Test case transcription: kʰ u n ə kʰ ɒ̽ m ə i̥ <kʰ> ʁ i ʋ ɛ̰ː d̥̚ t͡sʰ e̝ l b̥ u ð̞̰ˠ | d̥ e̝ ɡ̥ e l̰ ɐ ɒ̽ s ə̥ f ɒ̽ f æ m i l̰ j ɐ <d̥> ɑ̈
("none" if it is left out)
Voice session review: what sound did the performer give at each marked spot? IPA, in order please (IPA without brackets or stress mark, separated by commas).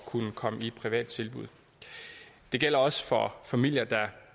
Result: pʰ, d̥